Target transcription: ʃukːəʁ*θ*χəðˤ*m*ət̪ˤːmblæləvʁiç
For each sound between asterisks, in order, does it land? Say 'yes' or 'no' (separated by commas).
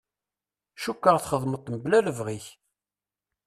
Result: yes, yes